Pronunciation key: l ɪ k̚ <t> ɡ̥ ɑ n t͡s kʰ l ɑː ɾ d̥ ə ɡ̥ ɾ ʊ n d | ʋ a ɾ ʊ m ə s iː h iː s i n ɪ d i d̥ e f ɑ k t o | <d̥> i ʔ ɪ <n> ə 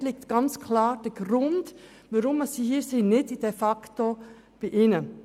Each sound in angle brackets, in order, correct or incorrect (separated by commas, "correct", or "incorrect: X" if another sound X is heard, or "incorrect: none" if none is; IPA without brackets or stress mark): correct, incorrect: b̥, correct